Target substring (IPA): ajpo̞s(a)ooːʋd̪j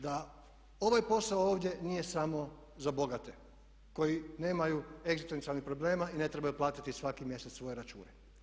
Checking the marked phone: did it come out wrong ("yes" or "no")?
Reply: no